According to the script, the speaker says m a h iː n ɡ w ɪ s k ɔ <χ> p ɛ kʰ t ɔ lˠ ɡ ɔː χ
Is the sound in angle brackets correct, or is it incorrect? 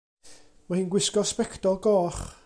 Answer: incorrect